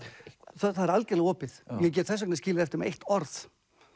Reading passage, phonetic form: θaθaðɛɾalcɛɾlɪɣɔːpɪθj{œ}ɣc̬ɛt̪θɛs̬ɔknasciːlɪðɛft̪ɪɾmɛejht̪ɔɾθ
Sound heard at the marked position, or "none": ɛ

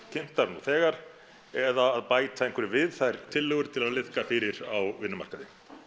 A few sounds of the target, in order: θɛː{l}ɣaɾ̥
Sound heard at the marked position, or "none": none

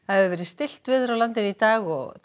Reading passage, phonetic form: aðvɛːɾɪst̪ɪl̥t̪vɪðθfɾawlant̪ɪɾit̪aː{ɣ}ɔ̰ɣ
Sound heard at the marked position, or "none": ɣ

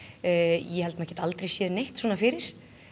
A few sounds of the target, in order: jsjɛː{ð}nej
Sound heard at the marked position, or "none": ð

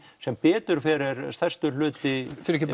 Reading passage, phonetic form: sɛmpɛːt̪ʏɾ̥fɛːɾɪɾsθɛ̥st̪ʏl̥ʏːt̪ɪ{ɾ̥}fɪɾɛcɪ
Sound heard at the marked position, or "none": none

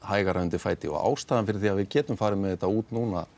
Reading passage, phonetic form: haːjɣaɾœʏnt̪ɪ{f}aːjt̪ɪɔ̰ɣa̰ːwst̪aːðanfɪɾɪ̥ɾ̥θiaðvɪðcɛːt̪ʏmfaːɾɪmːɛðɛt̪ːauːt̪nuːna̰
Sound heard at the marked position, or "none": f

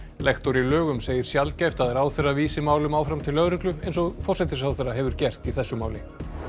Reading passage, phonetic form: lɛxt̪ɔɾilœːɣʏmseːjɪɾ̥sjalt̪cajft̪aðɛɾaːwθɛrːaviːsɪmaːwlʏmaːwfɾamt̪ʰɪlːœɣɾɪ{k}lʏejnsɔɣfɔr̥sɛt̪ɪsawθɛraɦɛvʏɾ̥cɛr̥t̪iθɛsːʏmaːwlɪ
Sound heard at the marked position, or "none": k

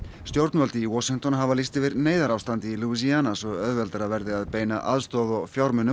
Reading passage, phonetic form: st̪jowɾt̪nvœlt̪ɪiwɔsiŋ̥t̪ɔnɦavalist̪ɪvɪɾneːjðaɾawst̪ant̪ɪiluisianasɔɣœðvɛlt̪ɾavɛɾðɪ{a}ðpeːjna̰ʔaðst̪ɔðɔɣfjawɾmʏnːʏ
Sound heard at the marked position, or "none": a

